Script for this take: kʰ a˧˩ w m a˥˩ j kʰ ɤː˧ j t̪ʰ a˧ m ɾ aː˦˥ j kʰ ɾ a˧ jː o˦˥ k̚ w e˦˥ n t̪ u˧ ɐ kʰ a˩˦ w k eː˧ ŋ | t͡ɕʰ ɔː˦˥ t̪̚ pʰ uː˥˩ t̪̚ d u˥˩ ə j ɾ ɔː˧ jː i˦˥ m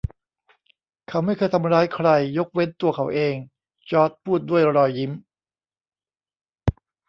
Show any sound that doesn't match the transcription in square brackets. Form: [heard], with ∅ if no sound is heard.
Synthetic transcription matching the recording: kʰ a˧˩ w m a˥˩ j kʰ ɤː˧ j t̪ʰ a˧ m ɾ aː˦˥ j kʰ ɾ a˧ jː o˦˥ k̚ w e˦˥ n t̪ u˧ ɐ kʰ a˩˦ w [ʔ] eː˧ ŋ | [t͡ɕ] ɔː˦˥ t̪̚ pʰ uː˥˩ t̪̚ d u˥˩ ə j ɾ ɔː˧ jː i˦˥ m

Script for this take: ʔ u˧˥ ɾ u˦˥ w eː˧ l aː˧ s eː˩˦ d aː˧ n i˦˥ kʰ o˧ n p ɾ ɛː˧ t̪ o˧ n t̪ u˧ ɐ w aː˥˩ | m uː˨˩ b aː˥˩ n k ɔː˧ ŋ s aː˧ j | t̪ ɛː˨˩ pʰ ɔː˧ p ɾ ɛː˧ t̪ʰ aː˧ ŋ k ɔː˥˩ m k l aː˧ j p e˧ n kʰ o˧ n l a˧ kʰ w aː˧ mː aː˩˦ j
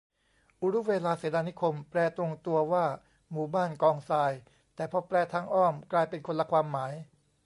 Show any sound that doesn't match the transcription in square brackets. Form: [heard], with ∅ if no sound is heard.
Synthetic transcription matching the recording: ʔ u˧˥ ɾ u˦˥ w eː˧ l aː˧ s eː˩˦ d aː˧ n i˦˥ kʰ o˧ [m] p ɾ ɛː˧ t̪ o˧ [ŋ] t̪ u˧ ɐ w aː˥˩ | m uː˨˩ b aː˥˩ n k ɔː˧ ŋ s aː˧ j | t̪ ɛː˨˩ pʰ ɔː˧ p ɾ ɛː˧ t̪ʰ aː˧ ŋ [ʔ] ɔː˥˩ m k l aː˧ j p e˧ n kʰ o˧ n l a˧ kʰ w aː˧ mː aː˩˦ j

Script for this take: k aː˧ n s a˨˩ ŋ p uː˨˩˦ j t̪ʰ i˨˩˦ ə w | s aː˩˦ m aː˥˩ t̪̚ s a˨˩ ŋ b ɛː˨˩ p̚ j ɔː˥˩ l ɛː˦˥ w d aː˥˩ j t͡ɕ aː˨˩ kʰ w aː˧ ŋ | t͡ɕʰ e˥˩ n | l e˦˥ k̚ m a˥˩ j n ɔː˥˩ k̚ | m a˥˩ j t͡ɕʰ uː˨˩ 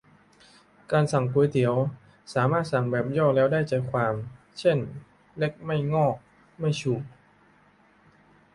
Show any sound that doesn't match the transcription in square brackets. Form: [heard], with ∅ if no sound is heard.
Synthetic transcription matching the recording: k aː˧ n s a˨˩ ŋ p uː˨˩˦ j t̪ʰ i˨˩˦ ə w | s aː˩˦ m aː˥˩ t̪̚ s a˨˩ ŋ b ɛː˨˩ p̚ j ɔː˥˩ l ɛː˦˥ w d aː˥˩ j t͡ɕ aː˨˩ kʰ w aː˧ [m] | t͡ɕʰ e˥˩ n | l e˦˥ k̚ m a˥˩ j [ŋ] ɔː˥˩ k̚ | m a˥˩ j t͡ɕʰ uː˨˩

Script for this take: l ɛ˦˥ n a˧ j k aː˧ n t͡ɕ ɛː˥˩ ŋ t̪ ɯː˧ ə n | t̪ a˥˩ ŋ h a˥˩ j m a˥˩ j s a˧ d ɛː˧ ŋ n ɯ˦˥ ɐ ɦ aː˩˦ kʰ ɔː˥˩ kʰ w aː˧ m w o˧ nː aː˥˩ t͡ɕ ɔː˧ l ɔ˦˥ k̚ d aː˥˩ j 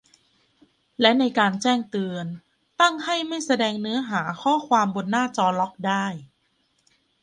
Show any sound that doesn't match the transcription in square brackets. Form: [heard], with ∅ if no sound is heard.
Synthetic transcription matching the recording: l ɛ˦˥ n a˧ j k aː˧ n t͡ɕ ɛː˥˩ ŋ t̪ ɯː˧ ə n | t̪ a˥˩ ŋ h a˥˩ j m a˥˩ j s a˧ d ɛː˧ ŋ n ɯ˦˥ ɐ ɦ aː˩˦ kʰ ɔː˥˩ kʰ w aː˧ m [b] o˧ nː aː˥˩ t͡ɕ ɔː˧ l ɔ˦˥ k̚ d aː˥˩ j

